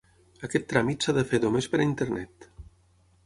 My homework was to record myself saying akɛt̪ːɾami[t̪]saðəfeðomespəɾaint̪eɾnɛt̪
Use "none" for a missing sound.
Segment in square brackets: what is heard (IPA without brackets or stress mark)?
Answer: t̪